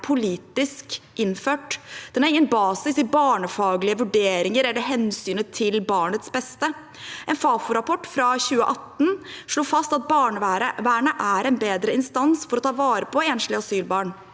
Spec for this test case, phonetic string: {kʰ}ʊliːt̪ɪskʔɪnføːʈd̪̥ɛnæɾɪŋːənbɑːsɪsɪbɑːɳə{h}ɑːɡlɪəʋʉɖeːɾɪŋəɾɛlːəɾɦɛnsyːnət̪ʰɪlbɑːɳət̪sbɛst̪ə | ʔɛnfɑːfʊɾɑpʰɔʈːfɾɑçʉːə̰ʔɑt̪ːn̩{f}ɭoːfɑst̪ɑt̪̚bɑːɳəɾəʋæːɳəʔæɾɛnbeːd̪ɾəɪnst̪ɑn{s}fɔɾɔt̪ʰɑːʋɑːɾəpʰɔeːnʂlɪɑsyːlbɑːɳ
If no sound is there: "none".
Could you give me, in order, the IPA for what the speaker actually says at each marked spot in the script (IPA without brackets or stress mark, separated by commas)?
pʰ, f, ʂ, s